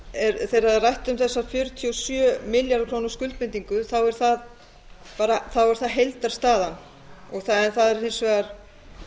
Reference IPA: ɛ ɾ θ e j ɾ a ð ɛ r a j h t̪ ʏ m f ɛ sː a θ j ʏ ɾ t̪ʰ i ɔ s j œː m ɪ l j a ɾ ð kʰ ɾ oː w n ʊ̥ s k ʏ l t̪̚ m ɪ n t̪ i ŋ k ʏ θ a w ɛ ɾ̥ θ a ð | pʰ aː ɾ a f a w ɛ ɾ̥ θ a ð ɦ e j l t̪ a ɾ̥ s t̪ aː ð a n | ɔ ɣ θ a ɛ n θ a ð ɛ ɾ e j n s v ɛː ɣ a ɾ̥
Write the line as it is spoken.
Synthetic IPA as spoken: ɛ ɾ θ e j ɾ a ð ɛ r a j h t̪ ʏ m θ ɛ sː a f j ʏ ɾ t̪ʰ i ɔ s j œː m ɪ l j a ɾ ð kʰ ɾ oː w n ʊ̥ s k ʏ l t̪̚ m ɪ n t̪ i ŋ k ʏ θ a w ɛ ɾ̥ θ a ð | p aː ɾ a θ a w ɛ ɾ̥ θ a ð ɦ e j l t̪ a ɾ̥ s t̪ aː ð a n | ɔ ɣ θ a ɛ n θ a ð ɛ ɾ e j n s v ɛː ɣ a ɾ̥